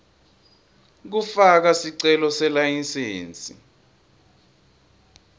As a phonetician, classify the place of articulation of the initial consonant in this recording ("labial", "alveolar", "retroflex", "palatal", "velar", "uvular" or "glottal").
velar